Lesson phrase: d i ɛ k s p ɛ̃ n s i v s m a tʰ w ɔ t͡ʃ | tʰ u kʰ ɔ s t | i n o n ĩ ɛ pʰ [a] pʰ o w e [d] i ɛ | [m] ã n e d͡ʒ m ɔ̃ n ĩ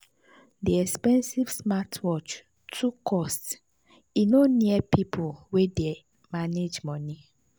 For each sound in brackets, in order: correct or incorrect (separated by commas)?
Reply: incorrect, correct, correct